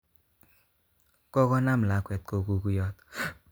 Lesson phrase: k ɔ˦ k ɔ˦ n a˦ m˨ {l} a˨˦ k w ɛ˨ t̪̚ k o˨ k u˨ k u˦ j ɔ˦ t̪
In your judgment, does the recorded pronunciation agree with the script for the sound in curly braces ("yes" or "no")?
yes